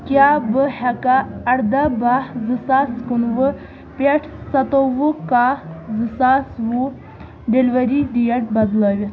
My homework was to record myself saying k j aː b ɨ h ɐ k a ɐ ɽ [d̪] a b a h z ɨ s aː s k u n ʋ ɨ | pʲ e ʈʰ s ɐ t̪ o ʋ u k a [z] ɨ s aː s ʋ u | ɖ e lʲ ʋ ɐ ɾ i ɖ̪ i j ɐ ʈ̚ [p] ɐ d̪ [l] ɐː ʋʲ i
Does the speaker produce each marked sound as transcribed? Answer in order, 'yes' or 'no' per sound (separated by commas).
yes, yes, no, yes